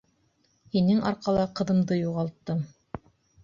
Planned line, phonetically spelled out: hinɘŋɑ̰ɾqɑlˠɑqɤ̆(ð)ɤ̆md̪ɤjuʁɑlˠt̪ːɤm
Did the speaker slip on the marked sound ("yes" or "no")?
no